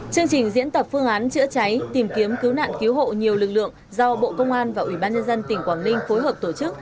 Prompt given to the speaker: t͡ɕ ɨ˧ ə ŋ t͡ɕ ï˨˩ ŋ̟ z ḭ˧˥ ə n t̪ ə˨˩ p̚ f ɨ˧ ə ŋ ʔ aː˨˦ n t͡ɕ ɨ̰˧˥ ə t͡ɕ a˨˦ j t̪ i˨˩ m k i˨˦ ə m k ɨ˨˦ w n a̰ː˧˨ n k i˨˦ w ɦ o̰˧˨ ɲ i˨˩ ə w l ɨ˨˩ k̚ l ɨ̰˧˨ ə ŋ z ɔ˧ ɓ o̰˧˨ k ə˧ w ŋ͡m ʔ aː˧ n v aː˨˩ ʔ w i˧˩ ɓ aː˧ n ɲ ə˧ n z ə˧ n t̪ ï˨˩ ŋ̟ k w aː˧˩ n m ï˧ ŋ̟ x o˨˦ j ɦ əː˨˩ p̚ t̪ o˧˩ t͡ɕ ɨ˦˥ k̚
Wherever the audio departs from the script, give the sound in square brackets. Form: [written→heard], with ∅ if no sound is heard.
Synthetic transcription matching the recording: t͡ɕ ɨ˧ ə ŋ t͡ɕ ï˨˩ ŋ̟ z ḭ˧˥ ə n t̪ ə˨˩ p̚ f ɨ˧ ə ŋ ʔ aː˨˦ n t͡ɕ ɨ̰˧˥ ə t͡ɕ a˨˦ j t̪ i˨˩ m k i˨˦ ə m k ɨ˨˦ w n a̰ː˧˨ n k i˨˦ w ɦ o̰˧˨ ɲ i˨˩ ə w l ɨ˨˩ k̚ l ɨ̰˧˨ ə ŋ z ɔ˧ ɓ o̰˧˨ k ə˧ w ŋ͡m ʔ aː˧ n v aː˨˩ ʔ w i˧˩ ɓ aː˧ n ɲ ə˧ n z ə˧ n t̪ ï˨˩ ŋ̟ k w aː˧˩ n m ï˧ ŋ̟ [x→f] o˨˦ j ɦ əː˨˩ p̚ t̪ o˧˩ t͡ɕ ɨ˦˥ k̚

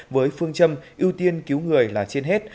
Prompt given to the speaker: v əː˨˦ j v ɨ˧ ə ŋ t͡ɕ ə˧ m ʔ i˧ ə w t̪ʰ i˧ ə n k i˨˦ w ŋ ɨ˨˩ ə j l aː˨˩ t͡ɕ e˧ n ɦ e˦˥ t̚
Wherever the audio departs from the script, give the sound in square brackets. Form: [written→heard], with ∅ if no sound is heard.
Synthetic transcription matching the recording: v əː˨˦ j [v→f] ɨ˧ ə ŋ t͡ɕ ə˧ m ʔ i˧ ə w [t̪ʰ→t̪] i˧ ə n k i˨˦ w ŋ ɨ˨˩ ə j l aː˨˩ t͡ɕ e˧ n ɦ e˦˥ t̚

